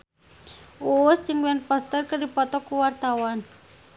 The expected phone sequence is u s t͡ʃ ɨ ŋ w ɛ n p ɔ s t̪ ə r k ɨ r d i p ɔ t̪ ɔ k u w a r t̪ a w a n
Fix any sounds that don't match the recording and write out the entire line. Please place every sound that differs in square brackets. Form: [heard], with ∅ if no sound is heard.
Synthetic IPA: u s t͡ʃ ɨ ŋ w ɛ n p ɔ s t̪ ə r k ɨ r d i p ɔ t̪ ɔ k u w a r t̪ a w a n